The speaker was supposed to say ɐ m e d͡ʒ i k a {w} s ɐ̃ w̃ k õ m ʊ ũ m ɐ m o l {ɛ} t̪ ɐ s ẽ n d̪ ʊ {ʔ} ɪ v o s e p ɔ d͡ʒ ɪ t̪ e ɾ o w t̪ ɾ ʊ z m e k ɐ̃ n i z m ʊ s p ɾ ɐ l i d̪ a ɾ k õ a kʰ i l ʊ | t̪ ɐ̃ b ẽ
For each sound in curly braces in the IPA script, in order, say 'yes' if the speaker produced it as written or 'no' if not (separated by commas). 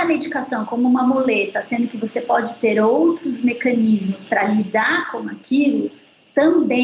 no, no, no